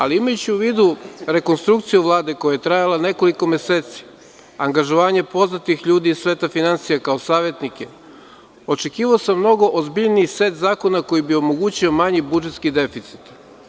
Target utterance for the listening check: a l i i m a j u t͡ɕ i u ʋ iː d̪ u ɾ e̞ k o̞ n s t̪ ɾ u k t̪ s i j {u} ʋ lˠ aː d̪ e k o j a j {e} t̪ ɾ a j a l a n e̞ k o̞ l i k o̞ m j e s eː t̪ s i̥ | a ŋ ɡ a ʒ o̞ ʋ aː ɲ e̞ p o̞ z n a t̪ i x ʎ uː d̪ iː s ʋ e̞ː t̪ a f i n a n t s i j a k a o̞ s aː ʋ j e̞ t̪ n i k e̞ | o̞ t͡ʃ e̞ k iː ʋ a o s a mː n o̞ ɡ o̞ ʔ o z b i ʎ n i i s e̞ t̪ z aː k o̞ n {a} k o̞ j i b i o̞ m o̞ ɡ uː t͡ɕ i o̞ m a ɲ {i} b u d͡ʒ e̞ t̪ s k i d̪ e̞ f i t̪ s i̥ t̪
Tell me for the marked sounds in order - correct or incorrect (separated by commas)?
correct, correct, correct, correct